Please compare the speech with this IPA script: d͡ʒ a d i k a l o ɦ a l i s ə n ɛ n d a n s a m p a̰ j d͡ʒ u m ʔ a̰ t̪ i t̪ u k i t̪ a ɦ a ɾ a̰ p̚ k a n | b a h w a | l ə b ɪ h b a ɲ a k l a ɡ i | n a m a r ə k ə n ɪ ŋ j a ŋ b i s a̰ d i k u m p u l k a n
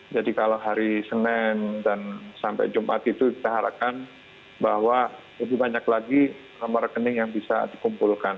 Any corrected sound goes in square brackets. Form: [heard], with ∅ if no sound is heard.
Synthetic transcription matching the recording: d͡ʒ a d i k a l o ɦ a [ɾ] i s ə n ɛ n d a n s a m p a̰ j d͡ʒ u m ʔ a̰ t̪ i t̪ u k i t̪ a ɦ a ɾ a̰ p̚ k a n | b a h w a | l ə b ɪ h b a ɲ a k l a ɡ i | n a m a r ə k ə n ɪ ŋ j a ŋ b i s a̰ d i k u m p u l k a n